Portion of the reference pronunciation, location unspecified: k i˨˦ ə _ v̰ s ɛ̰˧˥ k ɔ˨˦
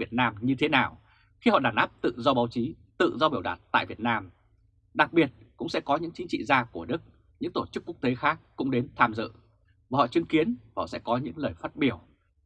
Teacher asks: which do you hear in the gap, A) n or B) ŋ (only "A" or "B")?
A